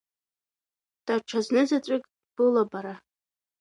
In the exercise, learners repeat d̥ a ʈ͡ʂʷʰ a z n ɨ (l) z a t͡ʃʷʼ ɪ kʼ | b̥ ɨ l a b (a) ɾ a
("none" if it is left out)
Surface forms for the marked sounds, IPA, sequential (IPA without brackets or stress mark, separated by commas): none, a